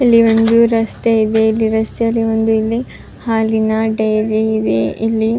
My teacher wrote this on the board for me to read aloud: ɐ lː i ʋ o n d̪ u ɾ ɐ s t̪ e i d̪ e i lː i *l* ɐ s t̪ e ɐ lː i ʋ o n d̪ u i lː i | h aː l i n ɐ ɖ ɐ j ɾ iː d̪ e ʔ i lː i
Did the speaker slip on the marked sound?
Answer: yes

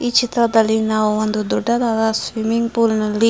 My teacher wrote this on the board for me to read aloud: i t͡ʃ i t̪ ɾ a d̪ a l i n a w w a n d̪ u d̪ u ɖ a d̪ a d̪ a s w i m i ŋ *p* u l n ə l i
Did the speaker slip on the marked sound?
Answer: no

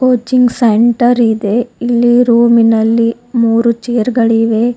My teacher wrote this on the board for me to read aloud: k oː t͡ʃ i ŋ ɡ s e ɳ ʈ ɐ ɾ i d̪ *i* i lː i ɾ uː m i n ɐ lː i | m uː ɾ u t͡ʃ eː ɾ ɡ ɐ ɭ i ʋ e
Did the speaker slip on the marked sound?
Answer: yes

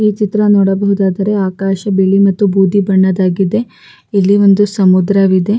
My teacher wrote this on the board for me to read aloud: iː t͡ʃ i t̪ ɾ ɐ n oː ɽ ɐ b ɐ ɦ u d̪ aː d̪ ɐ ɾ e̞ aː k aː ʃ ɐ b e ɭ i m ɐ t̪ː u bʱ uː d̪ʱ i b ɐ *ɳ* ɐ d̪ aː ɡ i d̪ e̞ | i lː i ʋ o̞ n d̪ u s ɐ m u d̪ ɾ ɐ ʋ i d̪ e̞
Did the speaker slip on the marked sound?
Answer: yes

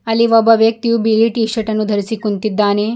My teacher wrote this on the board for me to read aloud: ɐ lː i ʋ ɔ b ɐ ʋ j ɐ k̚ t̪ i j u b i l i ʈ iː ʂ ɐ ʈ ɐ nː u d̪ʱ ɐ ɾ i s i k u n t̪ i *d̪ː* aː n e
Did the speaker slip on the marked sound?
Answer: no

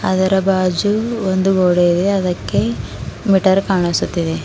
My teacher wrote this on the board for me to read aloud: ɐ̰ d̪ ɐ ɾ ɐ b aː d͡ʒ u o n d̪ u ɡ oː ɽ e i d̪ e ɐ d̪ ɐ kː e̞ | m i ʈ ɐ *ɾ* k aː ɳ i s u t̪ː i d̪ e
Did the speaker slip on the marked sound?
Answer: no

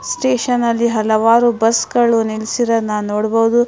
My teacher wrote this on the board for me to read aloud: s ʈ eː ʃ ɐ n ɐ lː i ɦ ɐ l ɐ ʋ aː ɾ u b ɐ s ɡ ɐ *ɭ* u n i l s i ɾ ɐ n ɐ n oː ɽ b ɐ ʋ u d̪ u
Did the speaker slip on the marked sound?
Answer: no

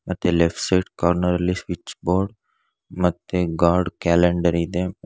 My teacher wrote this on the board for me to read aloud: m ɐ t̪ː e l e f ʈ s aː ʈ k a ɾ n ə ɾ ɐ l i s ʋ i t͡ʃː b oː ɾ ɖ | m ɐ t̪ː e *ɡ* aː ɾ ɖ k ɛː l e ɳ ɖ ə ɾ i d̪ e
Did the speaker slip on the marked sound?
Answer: no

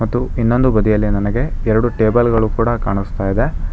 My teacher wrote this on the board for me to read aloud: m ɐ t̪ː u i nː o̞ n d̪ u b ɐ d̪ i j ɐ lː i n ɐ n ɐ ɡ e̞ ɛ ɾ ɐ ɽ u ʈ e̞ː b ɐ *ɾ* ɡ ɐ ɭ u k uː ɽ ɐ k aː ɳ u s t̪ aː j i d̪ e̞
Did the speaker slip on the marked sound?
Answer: yes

